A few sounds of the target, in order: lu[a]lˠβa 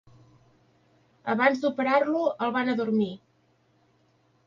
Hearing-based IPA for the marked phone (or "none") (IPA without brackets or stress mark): ə